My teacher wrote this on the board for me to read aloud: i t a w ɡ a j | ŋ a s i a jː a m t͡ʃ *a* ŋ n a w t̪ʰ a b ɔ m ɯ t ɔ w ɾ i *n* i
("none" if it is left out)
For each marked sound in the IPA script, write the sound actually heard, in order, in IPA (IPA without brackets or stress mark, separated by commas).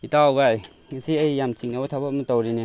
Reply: i, n